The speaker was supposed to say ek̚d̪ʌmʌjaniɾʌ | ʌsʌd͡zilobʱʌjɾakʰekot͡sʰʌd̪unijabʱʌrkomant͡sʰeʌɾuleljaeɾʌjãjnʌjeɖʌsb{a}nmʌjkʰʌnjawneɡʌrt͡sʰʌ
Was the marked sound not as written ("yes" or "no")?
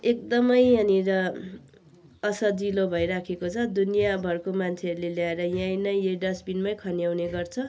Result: yes